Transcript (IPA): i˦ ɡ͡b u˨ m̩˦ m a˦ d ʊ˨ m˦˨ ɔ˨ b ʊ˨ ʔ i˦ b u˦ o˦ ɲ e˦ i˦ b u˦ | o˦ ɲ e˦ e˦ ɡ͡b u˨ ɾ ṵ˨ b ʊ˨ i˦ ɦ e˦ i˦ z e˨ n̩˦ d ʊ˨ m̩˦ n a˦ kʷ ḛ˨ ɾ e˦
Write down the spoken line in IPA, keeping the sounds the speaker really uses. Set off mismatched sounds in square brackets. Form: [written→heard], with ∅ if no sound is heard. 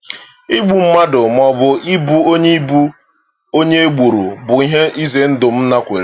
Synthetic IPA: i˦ ɡ͡b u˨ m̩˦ m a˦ d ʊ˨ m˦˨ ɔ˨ b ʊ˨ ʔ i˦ b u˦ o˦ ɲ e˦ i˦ b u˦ | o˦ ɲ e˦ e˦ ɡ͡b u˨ ɾ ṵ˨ b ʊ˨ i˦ ɦ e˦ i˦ z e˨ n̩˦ d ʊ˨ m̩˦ n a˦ kʷ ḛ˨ ɾ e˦